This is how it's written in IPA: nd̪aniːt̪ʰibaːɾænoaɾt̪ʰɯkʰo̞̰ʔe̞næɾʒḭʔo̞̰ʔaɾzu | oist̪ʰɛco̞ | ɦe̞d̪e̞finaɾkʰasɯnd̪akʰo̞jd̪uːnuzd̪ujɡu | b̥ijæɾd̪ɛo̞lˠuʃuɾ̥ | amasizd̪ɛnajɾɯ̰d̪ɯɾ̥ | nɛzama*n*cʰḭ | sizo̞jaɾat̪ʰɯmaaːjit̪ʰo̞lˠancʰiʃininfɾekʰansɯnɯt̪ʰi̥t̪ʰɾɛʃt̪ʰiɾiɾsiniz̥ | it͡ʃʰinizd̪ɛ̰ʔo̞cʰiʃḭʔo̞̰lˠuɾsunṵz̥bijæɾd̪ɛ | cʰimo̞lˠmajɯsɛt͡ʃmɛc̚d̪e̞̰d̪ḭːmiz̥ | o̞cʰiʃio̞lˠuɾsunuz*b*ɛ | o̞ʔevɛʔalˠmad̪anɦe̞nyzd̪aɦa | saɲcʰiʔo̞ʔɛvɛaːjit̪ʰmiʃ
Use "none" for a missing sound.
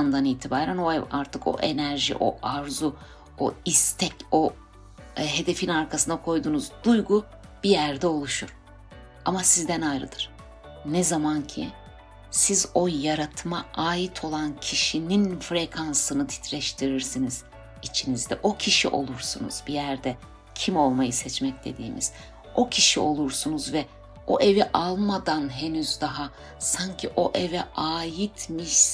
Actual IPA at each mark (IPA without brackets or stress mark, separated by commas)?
n, v